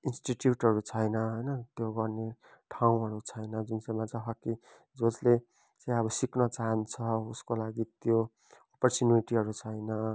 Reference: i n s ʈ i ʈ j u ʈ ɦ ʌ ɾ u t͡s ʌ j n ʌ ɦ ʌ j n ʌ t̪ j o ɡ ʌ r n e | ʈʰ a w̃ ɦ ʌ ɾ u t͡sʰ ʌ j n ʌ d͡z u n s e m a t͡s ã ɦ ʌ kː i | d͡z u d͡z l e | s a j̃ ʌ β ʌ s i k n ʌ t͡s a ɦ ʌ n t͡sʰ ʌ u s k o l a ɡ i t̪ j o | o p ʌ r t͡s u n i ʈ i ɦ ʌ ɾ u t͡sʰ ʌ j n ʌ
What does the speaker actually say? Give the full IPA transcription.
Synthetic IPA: i n s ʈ i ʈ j u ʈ ɦ ʌ ɾ u t͡sʰ ʌ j n ʌ ɦ ʌ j n ʌ t̪ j o ɡ ʌ r n e | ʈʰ a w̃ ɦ ʌ ɾ u t͡sʰ ʌ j n ʌ d͡z u n s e m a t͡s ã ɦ ʌ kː i | d͡z o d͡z l e | t͡s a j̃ ʌ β ʌ s i k n ʌ t͡s a ɦ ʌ n t͡sʰ ʌ u s k o l a ɡ i t̪ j o | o p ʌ r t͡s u n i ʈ i ɦ ʌ ɾ u t͡sʰ ʌ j n ʌ

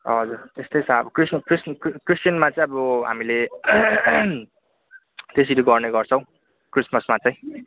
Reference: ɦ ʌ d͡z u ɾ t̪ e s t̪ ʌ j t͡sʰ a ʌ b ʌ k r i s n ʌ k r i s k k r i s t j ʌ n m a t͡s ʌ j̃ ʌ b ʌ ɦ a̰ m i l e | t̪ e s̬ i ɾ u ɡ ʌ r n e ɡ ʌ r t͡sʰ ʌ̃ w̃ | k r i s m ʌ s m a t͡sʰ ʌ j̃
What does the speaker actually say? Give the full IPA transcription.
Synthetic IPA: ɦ ʌ d͡z u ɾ t̪ e s t̪ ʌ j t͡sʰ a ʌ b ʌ k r i s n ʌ k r i s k k r i s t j ʌ n m a t͡s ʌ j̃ ʌ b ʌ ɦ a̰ m i l e | t̪ e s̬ i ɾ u ɡ ʌ r n e ɡ ʌ r t͡sʰ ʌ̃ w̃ | k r i s m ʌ s m a t͡s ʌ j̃

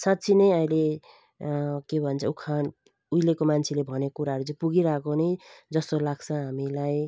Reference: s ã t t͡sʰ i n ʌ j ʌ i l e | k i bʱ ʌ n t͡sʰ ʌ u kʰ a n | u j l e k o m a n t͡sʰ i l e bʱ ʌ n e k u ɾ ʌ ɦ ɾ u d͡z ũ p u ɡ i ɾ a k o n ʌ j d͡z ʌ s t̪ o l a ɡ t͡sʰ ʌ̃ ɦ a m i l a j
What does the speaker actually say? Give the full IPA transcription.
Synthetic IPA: s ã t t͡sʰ i n ʌ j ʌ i l e | k e bʱ ʌ n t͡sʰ ʌ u kʰ a n | u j l e k o m a n t͡sʰ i l e bʱ ʌ n e k u ɾ a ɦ ɾ u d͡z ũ p u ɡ i ɾ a k o n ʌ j d͡z ʌ s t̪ o l a ɡ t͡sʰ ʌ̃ ɦ a m i l a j

